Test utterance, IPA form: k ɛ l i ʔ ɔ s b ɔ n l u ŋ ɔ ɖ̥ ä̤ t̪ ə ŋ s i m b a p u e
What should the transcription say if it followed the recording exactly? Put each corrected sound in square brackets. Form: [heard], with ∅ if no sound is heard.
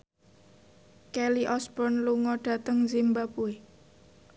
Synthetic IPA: k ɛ l i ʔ ɔ s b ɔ n l u ŋ ɔ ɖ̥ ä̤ t̪ ə ŋ [z] i m b a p u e